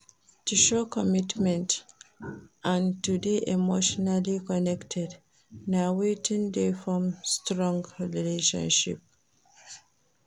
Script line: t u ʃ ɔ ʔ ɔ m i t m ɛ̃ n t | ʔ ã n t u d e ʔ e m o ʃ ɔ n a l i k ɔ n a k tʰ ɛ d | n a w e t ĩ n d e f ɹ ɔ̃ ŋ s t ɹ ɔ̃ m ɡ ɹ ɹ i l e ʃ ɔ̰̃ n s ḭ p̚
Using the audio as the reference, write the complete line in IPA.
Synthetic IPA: t u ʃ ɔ k ɔ m i t m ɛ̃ n t | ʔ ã n t u d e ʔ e m o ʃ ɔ n a l i k ɔ n ɛ k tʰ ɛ d | n a w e t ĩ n d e f ɹ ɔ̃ m s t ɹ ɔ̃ ŋ ɡ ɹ ɹ i l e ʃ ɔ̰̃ n ʃ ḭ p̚